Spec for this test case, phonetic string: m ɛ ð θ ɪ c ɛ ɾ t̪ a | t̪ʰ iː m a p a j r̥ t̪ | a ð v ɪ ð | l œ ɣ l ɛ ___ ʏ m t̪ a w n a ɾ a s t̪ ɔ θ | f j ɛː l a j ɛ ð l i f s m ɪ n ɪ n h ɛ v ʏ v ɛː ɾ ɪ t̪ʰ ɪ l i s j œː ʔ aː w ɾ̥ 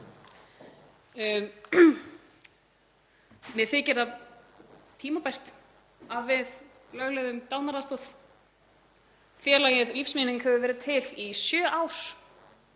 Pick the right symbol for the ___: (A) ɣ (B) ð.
B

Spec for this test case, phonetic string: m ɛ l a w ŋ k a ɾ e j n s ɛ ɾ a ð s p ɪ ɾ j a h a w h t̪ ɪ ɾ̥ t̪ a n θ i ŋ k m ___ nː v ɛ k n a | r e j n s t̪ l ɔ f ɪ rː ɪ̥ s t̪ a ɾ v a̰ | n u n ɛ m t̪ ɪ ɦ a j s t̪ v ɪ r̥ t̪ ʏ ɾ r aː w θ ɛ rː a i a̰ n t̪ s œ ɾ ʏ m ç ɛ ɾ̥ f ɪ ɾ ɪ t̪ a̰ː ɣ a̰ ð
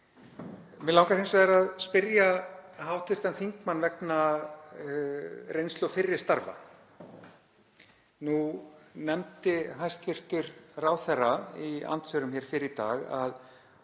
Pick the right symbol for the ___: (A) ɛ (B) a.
B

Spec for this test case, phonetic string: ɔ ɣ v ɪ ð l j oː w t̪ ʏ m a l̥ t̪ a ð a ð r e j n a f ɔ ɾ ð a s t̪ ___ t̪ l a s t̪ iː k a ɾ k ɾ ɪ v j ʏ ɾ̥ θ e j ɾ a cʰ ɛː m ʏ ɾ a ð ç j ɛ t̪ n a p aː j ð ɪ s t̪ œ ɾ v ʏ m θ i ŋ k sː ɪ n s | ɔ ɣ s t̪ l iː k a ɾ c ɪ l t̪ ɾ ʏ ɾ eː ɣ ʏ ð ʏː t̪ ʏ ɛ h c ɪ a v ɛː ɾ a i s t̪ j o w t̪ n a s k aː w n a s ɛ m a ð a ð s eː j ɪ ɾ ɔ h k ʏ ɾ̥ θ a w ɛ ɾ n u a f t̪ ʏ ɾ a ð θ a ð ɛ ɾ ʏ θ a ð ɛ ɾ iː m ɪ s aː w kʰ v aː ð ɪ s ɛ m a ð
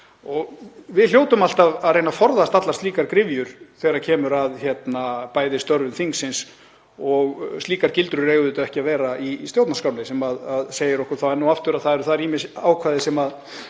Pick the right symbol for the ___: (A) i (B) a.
B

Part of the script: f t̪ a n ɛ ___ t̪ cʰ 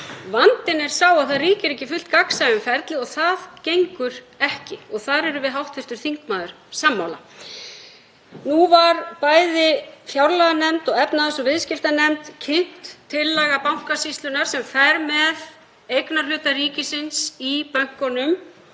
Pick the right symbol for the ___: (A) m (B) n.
A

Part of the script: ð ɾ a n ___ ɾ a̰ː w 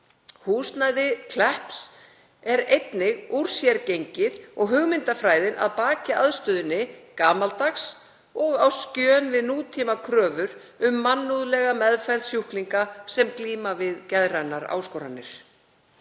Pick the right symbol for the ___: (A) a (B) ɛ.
A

